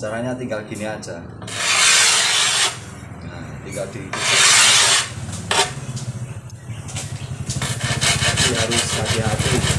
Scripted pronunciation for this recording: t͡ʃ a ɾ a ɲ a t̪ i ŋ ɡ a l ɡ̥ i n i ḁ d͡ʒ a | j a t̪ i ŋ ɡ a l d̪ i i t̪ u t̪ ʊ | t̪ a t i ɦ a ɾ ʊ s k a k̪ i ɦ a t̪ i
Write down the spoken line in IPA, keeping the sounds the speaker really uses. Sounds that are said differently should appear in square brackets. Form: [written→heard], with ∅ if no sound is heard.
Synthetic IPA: t͡ʃ a ɾ a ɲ a t̪ i ŋ ɡ a l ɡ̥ i n i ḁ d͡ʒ a | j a t̪ i ŋ ɡ a l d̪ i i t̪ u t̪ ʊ | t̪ a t i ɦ a ɾ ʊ s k a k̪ i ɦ a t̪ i